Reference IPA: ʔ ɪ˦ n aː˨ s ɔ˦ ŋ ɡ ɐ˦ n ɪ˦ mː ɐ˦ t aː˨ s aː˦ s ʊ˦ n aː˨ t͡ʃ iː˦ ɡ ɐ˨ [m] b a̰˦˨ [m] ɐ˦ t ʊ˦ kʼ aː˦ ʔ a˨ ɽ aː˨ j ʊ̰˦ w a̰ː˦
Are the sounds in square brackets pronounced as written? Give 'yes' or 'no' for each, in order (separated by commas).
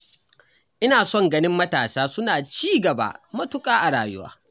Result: no, yes